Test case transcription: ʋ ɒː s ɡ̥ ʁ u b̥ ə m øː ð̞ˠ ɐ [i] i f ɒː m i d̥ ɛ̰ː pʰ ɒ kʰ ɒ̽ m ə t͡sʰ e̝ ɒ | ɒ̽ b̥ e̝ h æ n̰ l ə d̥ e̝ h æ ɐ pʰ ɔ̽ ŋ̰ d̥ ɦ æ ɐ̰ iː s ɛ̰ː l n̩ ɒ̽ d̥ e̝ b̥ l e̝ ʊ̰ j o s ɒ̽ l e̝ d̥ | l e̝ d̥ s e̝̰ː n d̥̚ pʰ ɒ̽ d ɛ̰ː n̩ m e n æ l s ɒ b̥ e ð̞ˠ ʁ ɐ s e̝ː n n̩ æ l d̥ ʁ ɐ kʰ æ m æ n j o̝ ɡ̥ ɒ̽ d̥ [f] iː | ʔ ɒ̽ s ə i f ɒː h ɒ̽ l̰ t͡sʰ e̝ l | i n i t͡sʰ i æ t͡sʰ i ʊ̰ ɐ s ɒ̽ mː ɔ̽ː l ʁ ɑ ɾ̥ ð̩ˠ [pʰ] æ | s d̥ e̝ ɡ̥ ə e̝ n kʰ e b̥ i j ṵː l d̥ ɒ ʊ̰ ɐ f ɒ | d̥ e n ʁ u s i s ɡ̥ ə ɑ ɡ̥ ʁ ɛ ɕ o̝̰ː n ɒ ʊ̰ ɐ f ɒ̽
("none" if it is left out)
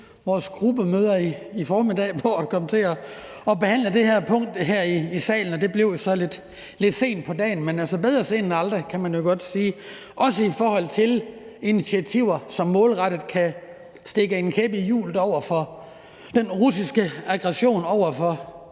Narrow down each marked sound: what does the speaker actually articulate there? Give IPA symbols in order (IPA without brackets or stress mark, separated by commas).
i, s, kʰ